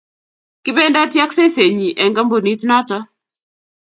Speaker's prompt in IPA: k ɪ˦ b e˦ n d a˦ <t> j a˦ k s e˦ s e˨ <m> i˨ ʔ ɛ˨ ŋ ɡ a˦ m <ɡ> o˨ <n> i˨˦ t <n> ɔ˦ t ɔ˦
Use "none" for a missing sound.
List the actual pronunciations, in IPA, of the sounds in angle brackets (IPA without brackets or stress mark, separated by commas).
t, ɲ, b, n, n